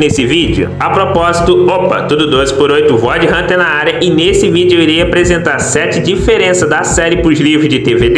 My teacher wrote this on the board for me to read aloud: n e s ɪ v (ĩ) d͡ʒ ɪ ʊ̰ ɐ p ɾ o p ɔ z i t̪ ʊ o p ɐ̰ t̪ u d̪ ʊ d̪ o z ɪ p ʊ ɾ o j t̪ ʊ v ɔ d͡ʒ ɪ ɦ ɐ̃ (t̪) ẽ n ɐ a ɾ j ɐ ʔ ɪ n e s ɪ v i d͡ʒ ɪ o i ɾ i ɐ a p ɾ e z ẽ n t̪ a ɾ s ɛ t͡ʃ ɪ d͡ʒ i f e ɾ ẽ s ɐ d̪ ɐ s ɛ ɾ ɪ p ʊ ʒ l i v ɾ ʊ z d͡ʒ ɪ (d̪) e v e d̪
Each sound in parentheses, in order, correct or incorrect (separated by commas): incorrect, correct, incorrect